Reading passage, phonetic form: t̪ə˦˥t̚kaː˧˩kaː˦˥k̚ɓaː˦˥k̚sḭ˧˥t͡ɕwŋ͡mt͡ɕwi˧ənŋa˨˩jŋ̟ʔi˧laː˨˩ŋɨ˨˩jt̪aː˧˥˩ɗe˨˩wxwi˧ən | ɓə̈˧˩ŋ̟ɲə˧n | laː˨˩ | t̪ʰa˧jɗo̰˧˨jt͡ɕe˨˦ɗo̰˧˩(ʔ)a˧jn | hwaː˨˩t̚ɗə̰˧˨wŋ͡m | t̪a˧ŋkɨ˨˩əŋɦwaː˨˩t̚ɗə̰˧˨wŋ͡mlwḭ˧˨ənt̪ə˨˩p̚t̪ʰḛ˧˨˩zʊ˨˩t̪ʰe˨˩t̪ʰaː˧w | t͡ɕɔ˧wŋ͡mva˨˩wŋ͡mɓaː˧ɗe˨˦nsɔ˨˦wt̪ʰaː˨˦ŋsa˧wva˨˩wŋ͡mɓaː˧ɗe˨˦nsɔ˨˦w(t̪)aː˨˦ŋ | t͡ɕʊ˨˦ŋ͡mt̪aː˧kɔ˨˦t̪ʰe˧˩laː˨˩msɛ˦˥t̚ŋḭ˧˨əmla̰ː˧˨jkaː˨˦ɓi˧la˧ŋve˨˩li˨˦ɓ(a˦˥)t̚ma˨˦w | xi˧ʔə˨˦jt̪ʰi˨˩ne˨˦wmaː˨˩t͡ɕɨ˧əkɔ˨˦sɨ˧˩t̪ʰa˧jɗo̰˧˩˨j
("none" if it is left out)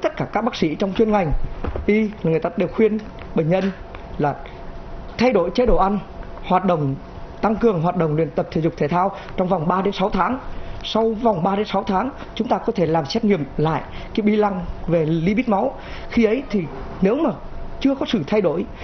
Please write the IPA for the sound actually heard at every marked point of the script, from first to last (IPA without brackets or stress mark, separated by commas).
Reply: ʔ, t̪ʰ, i˦˥